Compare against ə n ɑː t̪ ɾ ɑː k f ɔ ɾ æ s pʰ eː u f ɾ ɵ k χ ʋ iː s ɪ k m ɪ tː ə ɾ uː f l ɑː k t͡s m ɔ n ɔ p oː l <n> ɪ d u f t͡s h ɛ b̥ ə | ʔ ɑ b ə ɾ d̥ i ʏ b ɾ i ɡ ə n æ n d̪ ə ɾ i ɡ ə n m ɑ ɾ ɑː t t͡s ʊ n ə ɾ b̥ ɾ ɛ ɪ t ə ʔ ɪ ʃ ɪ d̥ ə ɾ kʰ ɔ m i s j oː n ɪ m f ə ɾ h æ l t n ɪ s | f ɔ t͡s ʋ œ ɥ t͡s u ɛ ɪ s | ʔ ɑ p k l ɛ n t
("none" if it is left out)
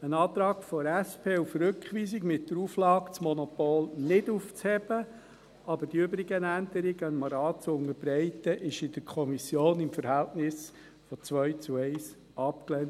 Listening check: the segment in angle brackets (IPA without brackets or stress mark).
n